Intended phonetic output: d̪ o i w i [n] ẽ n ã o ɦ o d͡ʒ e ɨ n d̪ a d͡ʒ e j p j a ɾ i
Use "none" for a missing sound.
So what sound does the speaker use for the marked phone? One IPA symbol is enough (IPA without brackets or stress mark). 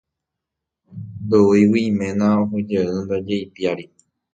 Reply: m